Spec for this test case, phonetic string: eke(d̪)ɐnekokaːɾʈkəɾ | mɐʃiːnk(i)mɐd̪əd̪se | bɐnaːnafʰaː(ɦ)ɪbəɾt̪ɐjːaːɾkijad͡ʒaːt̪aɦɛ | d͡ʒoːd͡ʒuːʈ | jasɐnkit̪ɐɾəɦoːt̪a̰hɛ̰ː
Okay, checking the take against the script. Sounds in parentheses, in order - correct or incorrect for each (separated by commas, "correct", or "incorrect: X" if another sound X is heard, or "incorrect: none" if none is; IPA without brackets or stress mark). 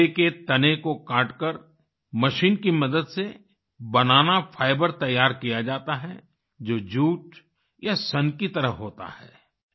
incorrect: t̪, correct, incorrect: none